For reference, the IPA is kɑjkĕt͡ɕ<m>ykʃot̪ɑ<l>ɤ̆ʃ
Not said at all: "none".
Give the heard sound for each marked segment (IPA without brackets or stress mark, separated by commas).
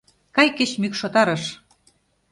m, ɾ